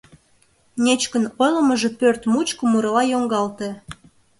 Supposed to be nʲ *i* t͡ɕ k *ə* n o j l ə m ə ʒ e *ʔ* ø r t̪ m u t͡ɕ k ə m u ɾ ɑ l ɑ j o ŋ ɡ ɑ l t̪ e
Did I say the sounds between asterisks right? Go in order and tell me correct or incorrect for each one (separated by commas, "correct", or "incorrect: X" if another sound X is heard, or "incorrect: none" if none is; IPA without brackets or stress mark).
incorrect: e, correct, incorrect: p